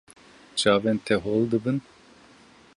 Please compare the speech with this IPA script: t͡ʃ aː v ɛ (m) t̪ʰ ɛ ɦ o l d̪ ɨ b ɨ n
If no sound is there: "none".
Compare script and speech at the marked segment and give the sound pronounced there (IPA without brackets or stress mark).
n